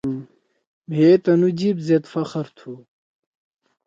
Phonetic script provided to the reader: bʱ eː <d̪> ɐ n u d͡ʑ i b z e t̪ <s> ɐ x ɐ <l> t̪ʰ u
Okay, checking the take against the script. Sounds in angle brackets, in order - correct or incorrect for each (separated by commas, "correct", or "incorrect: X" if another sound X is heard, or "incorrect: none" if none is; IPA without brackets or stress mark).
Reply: incorrect: t̪, incorrect: f, incorrect: ɾ